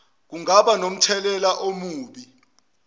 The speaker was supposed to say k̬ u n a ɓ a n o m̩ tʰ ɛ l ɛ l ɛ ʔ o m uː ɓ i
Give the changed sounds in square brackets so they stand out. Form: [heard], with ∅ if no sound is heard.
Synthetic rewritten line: k̬ u [ŋ] a ɓ a n o m̩ tʰ ɛ l ɛ l [a] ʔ o m uː ɓ i

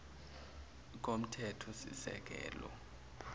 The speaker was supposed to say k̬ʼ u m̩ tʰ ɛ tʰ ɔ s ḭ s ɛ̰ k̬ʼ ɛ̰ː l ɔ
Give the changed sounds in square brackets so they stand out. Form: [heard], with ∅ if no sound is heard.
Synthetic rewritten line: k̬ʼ [o] m̩ tʰ ɛ tʰ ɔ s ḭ s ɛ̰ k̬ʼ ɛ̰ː l ɔ

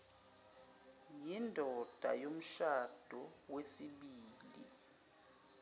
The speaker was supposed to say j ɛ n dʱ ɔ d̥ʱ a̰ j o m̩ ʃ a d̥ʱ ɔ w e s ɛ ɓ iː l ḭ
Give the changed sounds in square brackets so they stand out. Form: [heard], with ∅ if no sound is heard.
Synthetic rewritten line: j [i] n dʱ ɔ d̥ʱ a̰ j o m̩ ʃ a d̥ʱ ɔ w e s [i] ɓ iː l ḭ

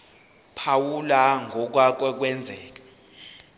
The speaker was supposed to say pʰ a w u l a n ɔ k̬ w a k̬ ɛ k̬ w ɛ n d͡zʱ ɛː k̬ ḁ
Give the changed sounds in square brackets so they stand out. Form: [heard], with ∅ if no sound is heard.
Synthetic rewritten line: pʰ a w u l a [ŋ] ɔ k̬ w a k̬ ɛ k̬ w ɛ n d͡zʱ ɛː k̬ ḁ

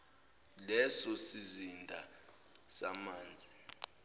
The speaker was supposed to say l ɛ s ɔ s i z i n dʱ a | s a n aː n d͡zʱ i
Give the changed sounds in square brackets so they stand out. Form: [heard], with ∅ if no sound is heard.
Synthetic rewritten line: l ɛ s ɔ s i z i n dʱ a | s a [m] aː n d͡zʱ i

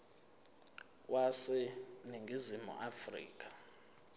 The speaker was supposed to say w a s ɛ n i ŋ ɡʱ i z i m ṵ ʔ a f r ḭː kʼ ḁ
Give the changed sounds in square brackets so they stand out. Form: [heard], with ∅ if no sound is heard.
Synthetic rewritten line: w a s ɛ n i ŋ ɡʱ i z i m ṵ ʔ a f r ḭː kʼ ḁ

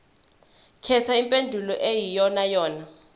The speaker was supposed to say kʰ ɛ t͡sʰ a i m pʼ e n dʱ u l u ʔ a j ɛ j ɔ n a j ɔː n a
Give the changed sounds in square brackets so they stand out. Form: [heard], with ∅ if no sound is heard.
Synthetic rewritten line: kʰ ɛ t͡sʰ a i m pʼ e n dʱ u l [ɔ] ʔ [e] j [i] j ɔ n a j ɔː n a

